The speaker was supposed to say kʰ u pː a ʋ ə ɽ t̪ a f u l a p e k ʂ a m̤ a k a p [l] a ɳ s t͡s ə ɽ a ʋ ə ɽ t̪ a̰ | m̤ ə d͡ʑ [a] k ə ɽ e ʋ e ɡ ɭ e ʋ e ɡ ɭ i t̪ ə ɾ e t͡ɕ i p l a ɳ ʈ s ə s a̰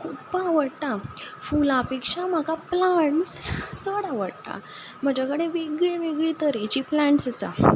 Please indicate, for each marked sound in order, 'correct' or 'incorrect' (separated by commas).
correct, correct